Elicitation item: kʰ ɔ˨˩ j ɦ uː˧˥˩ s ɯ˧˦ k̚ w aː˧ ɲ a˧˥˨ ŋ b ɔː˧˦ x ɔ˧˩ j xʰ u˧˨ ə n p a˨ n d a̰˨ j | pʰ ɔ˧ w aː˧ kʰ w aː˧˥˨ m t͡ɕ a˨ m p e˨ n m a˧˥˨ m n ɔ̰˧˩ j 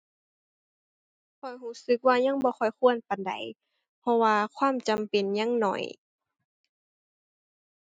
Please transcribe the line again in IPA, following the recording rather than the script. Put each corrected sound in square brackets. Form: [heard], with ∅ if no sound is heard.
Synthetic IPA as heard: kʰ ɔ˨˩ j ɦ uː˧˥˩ s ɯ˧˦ k̚ w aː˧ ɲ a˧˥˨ ŋ b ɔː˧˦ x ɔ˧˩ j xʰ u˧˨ ə n p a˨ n d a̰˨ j | pʰ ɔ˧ w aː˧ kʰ w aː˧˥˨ m t͡ɕ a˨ m p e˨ n [ɲ] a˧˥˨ [ŋ] n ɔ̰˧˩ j